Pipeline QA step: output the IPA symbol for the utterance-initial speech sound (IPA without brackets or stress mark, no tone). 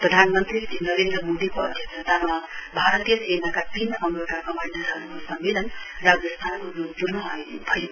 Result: p